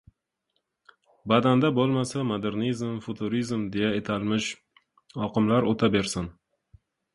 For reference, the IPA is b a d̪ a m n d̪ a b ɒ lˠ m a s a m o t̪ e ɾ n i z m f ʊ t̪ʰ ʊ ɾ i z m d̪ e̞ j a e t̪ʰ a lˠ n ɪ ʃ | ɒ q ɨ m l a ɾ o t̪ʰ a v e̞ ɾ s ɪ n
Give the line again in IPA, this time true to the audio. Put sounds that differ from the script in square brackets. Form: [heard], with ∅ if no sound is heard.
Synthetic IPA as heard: b a d̪ a [∅] n d̪ a b [o] lˠ m a s a m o [d̪] e ɾ n i z m f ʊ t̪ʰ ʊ ɾ i z m d̪ e̞ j a e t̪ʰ a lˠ [m] ɪ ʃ | ɒ q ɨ m l a ɾ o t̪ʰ a [b] e̞ ɾ s ɪ n